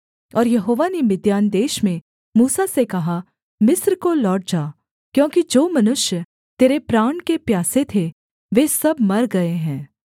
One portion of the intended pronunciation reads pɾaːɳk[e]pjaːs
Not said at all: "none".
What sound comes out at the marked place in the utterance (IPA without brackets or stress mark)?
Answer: e